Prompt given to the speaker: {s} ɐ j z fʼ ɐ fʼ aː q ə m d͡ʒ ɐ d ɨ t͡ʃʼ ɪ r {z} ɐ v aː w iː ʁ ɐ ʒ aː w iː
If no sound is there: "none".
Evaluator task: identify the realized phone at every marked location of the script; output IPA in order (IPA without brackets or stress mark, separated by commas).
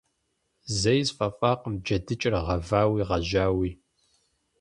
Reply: z, ʁ